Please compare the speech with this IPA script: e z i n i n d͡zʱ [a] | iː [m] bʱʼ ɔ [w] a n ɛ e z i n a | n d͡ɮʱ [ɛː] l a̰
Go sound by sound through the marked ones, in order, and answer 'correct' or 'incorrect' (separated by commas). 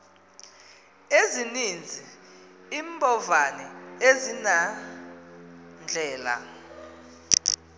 incorrect, correct, incorrect, correct